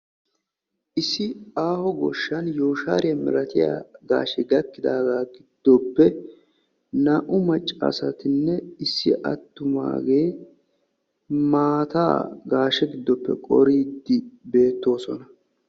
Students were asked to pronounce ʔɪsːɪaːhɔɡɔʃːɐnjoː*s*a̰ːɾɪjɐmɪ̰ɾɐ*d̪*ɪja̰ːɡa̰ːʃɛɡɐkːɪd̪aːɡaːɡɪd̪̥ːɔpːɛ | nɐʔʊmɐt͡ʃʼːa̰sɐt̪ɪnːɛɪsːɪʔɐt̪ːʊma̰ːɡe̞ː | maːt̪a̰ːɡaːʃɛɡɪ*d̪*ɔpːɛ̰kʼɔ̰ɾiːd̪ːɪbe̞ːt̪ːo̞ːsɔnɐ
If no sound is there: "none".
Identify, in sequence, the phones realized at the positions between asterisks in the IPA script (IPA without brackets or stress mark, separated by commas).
ʃ, t̪, d̪ː